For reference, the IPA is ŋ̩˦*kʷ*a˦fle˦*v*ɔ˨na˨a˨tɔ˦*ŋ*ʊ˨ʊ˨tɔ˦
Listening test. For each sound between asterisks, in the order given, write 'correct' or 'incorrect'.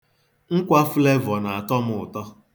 correct, correct, incorrect

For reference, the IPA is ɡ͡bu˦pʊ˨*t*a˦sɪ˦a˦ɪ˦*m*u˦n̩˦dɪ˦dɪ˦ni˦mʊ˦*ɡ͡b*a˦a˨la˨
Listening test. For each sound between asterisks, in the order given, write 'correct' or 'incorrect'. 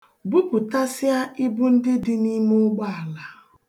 correct, incorrect, correct

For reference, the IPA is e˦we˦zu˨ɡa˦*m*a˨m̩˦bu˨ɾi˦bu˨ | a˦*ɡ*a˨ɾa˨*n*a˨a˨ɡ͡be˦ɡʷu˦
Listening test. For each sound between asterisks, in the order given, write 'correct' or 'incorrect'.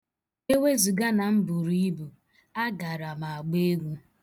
incorrect, correct, incorrect

